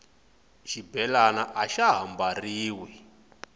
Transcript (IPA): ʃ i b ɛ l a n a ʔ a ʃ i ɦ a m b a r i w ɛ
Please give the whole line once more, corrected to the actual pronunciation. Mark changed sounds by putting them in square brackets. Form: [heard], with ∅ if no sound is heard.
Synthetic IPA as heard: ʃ i b ɛ l a n a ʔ a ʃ [a] ɦ a m b a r [iː] w ɛ